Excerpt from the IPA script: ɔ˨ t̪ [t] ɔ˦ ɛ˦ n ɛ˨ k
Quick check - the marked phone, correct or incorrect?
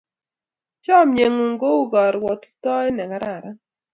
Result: correct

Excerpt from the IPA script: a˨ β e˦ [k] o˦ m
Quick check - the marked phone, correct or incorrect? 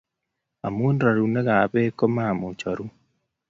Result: correct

